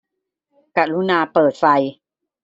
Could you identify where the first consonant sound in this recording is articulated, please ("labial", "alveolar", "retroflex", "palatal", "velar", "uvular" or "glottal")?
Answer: velar